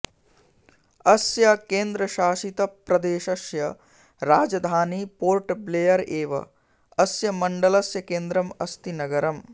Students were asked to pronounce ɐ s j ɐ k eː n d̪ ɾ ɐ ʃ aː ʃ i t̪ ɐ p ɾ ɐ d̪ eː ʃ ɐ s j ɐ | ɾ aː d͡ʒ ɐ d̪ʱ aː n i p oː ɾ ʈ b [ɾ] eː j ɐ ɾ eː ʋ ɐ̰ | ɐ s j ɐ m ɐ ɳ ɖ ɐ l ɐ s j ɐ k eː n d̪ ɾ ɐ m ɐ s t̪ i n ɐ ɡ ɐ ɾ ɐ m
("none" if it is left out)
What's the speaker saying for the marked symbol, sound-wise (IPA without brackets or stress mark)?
l